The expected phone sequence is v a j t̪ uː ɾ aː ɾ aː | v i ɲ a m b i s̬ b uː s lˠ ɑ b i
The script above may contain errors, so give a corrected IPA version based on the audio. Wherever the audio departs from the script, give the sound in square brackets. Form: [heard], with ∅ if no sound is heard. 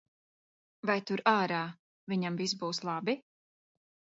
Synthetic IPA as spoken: v a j t̪ [u] ɾ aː ɾ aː | v i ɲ a m [v] i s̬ b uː s lˠ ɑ b i